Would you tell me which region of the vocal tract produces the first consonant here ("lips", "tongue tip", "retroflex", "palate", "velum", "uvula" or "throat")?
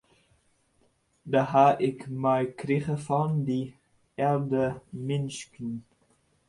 tongue tip